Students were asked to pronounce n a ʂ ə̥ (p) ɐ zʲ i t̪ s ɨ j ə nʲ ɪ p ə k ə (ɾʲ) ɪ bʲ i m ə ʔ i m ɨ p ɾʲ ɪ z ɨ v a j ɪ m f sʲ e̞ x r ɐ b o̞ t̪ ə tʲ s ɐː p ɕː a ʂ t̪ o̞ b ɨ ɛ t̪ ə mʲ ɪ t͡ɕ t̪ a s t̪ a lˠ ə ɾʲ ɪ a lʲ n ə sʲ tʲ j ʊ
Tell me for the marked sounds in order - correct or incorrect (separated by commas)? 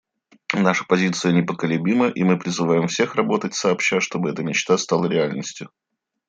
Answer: correct, incorrect